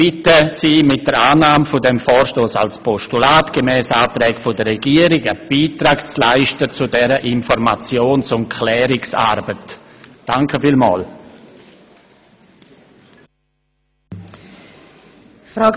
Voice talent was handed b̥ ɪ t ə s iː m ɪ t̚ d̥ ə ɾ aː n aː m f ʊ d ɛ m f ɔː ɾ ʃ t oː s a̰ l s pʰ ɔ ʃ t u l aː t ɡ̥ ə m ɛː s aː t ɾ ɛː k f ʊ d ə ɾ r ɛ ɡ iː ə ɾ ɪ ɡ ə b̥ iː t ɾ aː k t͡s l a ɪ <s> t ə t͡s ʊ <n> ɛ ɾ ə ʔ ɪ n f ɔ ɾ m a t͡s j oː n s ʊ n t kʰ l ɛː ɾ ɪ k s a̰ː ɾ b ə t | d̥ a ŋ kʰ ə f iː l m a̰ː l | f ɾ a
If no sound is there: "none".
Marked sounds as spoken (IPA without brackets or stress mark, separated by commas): ʃ, d